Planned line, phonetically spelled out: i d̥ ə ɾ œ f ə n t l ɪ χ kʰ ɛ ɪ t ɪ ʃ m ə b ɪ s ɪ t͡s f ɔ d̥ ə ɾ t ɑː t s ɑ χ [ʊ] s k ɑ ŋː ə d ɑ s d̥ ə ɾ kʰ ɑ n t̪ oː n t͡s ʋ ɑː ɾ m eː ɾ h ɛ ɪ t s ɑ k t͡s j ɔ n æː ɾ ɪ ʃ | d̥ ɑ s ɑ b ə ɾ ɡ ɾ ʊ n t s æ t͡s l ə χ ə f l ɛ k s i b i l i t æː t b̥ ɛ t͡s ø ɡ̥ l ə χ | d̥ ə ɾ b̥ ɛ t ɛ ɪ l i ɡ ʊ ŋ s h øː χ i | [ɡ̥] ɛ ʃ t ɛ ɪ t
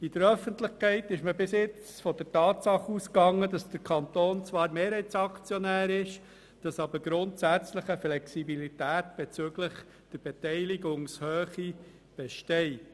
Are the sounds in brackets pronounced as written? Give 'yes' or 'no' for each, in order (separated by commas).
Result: no, no